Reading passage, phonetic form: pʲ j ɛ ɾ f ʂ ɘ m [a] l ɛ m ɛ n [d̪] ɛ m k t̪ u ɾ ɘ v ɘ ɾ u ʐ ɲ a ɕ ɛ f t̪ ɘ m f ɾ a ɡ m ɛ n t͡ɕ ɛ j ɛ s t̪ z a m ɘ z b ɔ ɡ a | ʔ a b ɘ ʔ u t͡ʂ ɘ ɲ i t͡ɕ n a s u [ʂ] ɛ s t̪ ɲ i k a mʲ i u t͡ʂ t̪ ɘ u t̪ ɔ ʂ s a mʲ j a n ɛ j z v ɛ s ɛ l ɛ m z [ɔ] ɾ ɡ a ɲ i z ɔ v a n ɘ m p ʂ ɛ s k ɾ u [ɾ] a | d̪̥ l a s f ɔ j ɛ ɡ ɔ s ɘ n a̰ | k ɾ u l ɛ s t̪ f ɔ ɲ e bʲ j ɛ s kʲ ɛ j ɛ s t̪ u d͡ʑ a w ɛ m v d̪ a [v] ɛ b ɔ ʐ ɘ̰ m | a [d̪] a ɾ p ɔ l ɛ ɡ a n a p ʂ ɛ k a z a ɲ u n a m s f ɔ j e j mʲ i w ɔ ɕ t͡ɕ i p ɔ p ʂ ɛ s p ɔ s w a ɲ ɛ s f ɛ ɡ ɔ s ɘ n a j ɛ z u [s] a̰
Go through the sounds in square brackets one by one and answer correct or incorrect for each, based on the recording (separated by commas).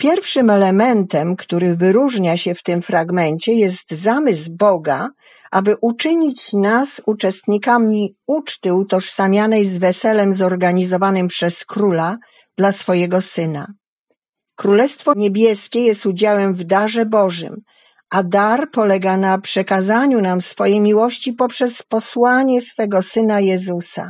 incorrect, incorrect, incorrect, correct, incorrect, incorrect, correct, correct